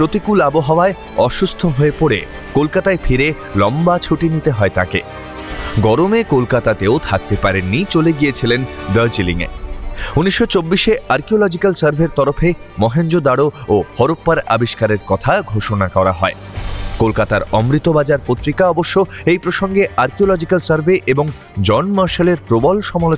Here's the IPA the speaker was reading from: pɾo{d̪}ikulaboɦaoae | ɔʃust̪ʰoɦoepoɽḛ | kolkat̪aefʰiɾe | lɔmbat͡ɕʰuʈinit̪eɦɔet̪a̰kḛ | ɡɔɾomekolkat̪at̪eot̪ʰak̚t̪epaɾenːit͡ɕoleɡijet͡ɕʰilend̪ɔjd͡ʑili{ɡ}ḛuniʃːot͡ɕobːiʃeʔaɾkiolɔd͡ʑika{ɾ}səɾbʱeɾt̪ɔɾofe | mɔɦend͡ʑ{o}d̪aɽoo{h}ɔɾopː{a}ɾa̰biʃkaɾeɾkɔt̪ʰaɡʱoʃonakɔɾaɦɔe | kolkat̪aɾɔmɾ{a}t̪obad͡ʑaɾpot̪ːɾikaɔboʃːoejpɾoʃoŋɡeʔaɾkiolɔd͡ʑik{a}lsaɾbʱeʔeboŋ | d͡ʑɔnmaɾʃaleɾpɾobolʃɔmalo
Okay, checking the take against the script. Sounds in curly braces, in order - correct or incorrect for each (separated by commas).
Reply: incorrect, incorrect, incorrect, correct, correct, correct, incorrect, correct